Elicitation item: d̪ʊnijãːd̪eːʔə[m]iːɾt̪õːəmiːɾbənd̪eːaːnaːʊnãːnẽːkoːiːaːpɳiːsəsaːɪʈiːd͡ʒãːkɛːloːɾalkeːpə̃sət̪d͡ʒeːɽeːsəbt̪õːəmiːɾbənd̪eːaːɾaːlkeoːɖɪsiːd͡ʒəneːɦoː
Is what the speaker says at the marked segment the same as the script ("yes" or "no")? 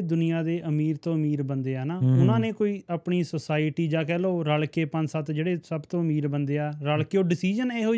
yes